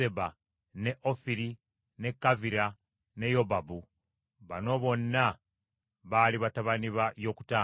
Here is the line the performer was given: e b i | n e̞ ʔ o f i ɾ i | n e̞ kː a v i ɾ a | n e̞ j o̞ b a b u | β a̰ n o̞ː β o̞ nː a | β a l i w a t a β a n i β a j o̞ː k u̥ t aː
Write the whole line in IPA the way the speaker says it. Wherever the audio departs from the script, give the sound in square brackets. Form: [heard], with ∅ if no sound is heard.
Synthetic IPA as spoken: e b [a] | n e̞ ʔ o f i ɾ i | n e̞ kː a v i ɾ a | n e̞ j o̞ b a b u | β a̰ n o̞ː β o̞ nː a | β a l i [β] a t a β a n i β a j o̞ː k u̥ t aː